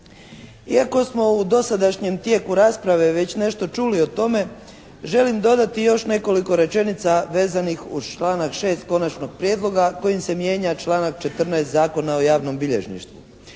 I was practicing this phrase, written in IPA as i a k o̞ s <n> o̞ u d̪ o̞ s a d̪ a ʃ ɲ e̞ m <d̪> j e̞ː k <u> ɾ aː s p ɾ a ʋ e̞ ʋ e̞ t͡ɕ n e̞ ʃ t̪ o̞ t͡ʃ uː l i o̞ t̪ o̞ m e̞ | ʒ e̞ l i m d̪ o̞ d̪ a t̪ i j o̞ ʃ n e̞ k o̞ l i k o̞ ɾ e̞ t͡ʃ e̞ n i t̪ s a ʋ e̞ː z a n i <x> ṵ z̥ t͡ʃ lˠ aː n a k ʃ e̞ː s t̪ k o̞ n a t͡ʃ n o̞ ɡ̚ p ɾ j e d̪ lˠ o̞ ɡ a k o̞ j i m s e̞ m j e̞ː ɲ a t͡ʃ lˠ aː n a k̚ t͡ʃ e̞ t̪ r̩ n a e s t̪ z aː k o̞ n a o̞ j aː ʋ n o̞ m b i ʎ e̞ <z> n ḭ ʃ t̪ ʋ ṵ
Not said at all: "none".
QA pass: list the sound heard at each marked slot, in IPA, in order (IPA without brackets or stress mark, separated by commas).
m, t̪, u, x, ʒ